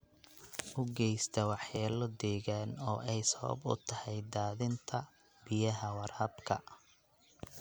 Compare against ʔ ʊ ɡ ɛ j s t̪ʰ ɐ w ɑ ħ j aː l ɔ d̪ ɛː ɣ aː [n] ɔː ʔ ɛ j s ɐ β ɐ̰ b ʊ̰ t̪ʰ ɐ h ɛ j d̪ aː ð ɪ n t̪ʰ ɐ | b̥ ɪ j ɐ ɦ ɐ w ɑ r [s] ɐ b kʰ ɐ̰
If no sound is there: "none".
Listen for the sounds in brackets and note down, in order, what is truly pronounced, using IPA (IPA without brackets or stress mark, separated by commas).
n, h